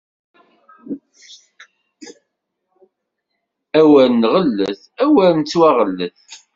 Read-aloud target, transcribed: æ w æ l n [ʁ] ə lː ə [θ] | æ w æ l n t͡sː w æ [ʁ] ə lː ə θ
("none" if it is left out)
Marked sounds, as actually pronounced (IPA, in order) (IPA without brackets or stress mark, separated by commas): ʁ, θ, ʁ